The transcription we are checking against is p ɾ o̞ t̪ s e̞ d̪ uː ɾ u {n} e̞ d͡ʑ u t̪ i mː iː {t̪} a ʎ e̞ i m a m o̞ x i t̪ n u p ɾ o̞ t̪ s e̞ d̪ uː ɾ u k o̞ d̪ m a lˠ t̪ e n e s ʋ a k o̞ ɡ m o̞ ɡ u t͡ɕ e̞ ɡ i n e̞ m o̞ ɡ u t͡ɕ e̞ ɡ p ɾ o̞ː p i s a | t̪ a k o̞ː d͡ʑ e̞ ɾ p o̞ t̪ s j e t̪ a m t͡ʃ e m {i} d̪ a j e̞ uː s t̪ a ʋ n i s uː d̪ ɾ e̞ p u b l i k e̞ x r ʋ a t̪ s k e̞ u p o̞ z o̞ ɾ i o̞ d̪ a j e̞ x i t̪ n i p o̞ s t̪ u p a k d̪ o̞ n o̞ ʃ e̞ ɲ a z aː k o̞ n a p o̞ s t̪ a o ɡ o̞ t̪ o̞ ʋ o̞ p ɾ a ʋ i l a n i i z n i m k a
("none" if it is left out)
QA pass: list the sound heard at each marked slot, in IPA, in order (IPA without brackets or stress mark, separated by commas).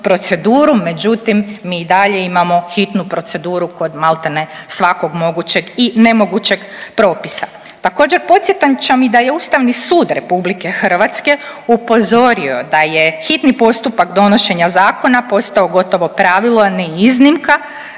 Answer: m, d̪, i